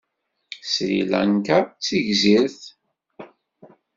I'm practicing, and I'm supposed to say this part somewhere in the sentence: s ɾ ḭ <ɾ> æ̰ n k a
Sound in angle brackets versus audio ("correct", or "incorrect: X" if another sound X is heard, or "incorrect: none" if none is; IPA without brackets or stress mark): incorrect: l